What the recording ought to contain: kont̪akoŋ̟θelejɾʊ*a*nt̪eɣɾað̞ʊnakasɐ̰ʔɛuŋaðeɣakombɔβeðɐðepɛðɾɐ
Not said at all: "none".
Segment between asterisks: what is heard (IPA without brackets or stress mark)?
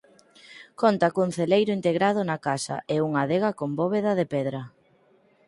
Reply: i